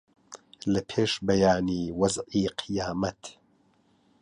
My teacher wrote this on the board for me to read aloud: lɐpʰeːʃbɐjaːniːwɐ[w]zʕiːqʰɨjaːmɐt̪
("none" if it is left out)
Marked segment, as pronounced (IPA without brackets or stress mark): none